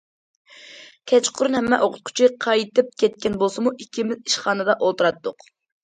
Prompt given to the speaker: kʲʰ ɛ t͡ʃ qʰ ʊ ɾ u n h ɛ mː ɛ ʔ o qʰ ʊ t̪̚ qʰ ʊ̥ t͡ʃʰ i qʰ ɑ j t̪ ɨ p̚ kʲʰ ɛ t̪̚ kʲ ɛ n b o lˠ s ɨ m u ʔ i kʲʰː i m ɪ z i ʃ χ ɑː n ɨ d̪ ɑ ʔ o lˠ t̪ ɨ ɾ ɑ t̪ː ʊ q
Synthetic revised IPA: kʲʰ ɛ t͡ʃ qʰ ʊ ɾ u n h ɛ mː ɛ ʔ o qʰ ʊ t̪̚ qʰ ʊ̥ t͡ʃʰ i qʰ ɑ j t̪ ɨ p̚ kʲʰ ɛ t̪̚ kʲ ɛ n b o lˠ s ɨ m u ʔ i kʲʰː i m ɪ z i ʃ χ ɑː n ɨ d̪ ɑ ʔ o lˠ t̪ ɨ ɾ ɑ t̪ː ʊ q

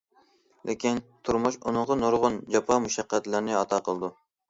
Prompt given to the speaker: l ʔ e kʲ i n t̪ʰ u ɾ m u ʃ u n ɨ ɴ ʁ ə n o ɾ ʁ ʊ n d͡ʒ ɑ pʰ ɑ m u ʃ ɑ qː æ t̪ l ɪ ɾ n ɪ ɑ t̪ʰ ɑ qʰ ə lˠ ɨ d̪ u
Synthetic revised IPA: l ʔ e kʲ i n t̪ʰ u ɾ m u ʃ u n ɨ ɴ ʁ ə n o ɾ ʁ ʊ n d͡ʒ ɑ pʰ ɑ m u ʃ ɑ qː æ t̪ l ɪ ɾ n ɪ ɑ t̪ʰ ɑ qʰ ə lˠ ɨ d̪ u

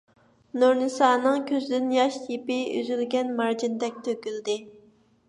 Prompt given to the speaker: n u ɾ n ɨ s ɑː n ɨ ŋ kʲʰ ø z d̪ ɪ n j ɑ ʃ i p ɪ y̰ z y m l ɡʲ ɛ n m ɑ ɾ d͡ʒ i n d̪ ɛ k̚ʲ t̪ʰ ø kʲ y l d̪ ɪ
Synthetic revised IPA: n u ɾ n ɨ s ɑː n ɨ ŋ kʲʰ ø z d̪ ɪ n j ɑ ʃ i p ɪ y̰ z y l ɡʲ ɛ n m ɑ ɾ d͡ʒ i n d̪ ɛ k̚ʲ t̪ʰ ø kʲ y l d̪ ɪ

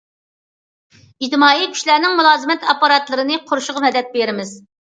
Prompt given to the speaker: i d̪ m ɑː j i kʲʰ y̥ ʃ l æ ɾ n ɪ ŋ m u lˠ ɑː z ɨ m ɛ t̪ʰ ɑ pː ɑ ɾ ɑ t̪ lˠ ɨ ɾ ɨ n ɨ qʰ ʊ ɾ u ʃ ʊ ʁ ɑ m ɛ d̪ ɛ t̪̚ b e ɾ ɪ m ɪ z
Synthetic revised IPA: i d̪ m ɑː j i kʲʰ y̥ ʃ l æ ɾ n ɪ ŋ m u lˠ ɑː z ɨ m ɛ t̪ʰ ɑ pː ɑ ɾ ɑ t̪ lˠ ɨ ɾ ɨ n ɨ qʰ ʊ ɾ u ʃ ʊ ʁ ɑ m ɛ d̪ ɛ t̪̚ b e ɾ ɪ m ɪ z

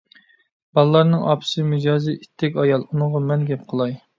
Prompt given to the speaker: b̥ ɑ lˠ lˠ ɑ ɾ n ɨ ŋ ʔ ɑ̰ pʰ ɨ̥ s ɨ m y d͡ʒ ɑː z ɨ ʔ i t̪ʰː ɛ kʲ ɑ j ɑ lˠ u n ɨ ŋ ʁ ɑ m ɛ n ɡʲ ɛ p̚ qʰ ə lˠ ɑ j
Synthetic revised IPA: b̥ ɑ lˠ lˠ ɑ ɾ n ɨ ŋ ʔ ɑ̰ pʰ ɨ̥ s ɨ m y d͡ʒ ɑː z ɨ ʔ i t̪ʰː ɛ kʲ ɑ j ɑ lˠ u n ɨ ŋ ʁ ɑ m ɛ n ɡʲ ɛ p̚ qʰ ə lˠ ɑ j

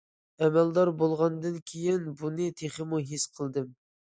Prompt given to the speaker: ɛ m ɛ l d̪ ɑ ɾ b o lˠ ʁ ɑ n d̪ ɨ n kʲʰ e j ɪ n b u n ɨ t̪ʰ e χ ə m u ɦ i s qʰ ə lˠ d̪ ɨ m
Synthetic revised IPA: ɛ m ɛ l d̪ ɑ ɾ b o lˠ ʁ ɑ n d̪ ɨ n kʲʰ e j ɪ n b u n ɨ t̪ʰ e χ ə m u ɦ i s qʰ ə lˠ d̪ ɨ m

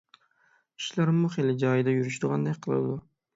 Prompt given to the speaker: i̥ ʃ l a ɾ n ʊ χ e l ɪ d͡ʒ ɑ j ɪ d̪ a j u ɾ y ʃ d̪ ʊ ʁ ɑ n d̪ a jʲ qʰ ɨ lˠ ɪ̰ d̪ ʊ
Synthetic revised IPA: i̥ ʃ l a ɾ m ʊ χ e l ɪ d͡ʒ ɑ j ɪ d̪ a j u ɾ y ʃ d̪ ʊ ʁ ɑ n d̪ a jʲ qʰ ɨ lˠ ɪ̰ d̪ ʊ

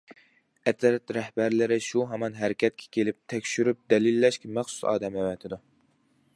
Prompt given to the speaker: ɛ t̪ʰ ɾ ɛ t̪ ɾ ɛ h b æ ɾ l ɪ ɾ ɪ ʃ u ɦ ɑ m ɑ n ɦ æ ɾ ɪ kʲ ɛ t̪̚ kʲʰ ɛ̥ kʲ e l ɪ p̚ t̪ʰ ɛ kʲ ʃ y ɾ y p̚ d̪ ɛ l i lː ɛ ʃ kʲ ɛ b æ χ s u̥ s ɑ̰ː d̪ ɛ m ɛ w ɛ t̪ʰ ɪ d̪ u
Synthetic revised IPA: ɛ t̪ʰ ɾ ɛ t̪ ɾ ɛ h b æ ɾ l ɪ ɾ ɪ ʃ u ɦ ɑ m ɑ n ɦ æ ɾ ɪ kʲ ɛ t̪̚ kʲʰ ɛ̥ kʲ e l ɪ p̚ t̪ʰ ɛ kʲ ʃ y ɾ y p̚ d̪ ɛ l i lː ɛ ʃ kʲ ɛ m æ χ s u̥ s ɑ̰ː d̪ ɛ m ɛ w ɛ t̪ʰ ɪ d̪ u

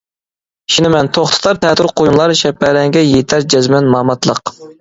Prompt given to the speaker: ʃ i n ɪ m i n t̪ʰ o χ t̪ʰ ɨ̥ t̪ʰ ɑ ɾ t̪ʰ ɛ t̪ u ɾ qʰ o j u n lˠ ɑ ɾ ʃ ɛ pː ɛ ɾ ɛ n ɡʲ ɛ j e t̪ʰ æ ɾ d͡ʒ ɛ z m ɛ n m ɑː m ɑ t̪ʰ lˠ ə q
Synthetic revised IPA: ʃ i n ɪ m ɛ n t̪ʰ o χ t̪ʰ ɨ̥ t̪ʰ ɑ ɾ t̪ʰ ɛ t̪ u ɾ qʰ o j u n lˠ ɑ ɾ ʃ ɛ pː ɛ ɾ ɛ ŋ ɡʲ ɛ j e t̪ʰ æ ɾ d͡ʒ ɛ z m ɛ n m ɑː m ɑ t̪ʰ lˠ ə q

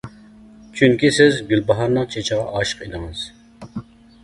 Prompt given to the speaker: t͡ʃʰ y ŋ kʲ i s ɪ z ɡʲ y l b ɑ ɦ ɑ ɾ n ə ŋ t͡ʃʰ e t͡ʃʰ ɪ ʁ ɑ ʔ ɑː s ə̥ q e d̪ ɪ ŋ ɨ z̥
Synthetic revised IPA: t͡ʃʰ y ŋ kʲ i s ɪ z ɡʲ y l b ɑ ɦ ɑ ɾ n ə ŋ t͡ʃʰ e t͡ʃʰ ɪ ʁ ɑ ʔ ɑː ʃ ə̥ q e d̪ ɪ ŋ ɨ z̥

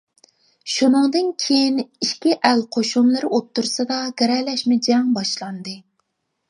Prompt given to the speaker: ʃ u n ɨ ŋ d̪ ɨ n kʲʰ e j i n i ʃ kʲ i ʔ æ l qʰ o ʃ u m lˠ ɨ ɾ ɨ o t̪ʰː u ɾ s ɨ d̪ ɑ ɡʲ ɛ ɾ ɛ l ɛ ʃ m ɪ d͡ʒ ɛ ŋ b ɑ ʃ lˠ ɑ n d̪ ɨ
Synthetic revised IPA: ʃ u n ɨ ŋ d̪ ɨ n kʲʰ e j i n i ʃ kʲ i ʔ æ l qʰ o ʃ u m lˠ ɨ ɾ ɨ o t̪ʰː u ɾ s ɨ d̪ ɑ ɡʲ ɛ ɾ ɛ l ɛ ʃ m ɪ d͡ʒ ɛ ŋ b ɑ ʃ lˠ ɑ n d̪ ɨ

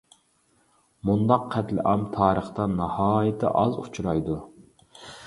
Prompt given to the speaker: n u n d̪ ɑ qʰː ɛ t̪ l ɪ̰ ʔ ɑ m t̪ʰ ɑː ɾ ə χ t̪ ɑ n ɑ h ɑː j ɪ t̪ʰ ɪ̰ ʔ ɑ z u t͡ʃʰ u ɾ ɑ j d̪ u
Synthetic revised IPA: m u n d̪ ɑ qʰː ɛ t̪ l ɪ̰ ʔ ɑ m t̪ʰ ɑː ɾ ə χ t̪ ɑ n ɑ h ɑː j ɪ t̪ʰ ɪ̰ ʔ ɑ z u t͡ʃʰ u ɾ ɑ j d̪ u

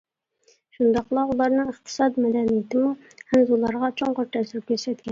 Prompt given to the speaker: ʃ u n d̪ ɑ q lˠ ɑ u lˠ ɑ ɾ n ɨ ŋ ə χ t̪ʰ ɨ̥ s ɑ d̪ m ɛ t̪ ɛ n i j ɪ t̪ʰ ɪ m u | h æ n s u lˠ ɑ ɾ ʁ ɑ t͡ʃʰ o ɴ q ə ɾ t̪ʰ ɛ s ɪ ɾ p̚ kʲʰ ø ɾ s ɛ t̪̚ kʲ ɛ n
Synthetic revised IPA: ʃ u n d̪ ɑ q lˠ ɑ u lˠ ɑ ɾ n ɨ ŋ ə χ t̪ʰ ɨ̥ s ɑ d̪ m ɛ d̪ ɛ n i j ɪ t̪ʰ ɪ m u | h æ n z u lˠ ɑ ɾ ʁ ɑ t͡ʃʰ o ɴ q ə ɾ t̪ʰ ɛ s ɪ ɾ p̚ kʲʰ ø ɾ s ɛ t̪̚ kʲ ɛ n

